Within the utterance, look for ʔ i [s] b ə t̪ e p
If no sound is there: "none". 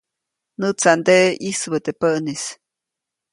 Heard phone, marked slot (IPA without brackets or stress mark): s